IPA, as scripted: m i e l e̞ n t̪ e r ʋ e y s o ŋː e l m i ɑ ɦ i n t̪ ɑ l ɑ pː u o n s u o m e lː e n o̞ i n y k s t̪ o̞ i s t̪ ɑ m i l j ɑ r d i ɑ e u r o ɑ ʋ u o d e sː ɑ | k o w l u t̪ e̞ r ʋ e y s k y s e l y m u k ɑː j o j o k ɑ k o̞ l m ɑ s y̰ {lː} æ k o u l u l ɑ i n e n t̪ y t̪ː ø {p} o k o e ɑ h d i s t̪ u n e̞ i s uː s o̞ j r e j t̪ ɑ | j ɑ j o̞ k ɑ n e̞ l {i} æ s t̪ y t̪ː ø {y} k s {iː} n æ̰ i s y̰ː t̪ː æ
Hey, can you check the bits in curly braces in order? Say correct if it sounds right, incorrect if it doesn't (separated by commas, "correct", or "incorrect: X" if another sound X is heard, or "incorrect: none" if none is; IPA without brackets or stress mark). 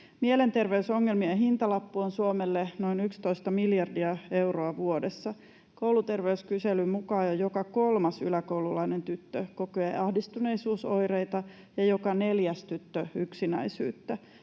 incorrect: l, incorrect: k, incorrect: j, correct, incorrect: i